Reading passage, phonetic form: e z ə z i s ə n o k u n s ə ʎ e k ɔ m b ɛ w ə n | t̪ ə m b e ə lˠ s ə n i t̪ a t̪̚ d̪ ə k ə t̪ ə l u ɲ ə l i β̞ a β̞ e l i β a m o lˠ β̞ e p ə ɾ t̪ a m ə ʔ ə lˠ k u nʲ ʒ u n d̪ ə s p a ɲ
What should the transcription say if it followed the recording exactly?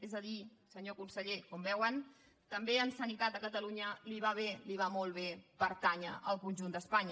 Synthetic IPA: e z ə ð i s ə ɲ o k u n s ə ʎ e k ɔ m b ɛ w ə n | t̪ ə m b e ə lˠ s ə n i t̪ a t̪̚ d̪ ə k ə t̪ ə l u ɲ ə l i β̞ a β̞ e l i β a m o lˠ β̞ e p ə ɾ t̪ a ɲ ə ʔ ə lˠ k u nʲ ʒ u n d̪ ə s p a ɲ